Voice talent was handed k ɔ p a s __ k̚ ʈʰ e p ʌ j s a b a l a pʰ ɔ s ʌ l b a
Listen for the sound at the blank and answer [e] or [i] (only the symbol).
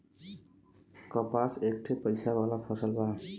e